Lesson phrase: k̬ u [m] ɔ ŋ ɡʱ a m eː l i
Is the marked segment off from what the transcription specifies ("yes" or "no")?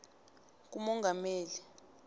no